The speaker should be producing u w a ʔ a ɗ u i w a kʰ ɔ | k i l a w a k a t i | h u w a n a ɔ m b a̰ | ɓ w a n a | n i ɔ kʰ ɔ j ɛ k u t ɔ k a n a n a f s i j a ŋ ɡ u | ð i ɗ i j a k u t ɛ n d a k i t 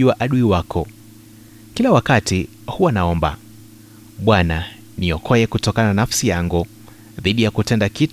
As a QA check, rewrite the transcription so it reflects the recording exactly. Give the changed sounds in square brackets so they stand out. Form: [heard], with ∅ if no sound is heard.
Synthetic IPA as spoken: u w a ʔ a ɗ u i w a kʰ ɔ | k i l a w a k a t i | h u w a n a ɔ m b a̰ | ɓ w a n a | n i ɔ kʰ ɔ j ɛ k u t ɔ k a n a n a f s i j a ŋ ɡ u | ð i ɗ i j a k u t ɛ n d a k i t